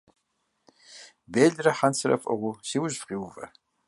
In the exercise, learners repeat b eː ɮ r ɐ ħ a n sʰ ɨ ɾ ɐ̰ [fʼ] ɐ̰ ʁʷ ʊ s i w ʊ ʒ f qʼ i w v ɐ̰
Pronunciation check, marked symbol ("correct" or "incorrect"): correct